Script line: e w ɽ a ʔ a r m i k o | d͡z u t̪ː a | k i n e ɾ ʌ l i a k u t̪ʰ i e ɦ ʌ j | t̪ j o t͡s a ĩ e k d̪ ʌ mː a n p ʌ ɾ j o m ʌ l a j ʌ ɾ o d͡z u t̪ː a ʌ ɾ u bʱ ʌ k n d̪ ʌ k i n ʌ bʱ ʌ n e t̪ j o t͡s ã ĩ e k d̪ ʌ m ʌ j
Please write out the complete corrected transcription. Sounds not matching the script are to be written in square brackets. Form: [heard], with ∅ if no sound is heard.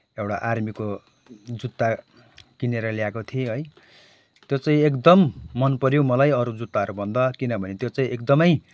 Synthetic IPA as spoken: e w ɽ a ʔ a r m i k o | d͡z u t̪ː a | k i n e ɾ ʌ l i a k [o] t̪ʰ i e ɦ ʌ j | t̪ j o t͡s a ĩ e k d̪ ʌ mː [ʌ] n p ʌ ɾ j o m ʌ l a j ʌ ɾ [u] d͡z u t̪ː a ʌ ɾ u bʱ ʌ [∅] n d̪ ʌ k i n ʌ bʱ ʌ n e t̪ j o t͡s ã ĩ e k d̪ ʌ m ʌ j